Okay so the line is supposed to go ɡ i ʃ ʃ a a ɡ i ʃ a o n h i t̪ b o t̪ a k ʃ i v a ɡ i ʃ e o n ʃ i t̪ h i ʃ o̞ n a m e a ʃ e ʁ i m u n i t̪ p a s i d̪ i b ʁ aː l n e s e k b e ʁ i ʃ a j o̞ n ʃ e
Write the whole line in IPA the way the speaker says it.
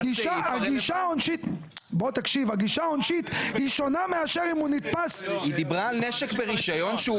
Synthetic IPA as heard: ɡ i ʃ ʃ a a ɡ i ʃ a o n ʃ i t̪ b o t̪ a k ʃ i v a ɡ i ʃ a o n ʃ i t̪ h i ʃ o̞ n a m e a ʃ e ʁ i m u n i t̪ p a s i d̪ i b ʁ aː l n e ʃ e k b e ʁ i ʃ a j o̞ n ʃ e